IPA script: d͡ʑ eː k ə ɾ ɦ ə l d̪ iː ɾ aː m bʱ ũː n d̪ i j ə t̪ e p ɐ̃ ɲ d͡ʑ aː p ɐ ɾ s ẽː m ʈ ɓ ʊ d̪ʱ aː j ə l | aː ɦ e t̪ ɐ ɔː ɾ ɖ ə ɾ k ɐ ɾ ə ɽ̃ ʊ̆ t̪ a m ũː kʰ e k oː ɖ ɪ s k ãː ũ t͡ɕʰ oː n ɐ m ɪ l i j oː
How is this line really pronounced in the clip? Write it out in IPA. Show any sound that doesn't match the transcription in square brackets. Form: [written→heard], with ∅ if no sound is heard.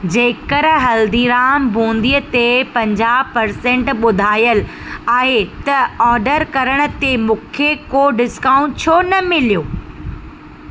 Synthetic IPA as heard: d͡ʑ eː k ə ɾ ɦ [ə→ɐ] l d̪ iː ɾ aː m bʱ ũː n d̪ i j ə t̪ e p ɐ̃ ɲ d͡ʑ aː p ɐ ɾ s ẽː [m→ɳ] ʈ ɓ ʊ d̪ʱ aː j ə l | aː ɦ e t̪ ɐ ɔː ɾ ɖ ə ɾ k ɐ ɾ ə ɽ̃ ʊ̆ t̪ [a→e] m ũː kʰ e k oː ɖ ɪ s k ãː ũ t͡ɕʰ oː n ɐ m ɪ l i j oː